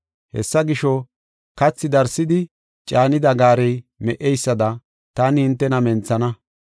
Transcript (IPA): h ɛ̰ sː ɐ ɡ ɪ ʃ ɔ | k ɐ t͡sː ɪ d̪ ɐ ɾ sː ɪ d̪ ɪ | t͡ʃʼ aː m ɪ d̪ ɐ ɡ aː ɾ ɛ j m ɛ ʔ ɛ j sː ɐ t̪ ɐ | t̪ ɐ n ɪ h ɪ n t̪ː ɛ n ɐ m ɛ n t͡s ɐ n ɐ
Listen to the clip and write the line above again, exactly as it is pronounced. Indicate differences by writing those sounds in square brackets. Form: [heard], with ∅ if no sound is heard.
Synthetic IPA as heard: h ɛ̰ sː ɐ ɡ ɪ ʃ ɔ | k ɐ t͡sː ɪ d̪ ɐ ɾ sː ɪ d̪ ɪ | t͡ʃʼ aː [n] ɪ d̪ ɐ ɡ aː ɾ ɛ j m ɛ ʔ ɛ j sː ɐ [d̪] ɐ | t̪ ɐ n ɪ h ɪ n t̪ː ɛ n ɐ m ɛ n t͡s ɐ n ɐ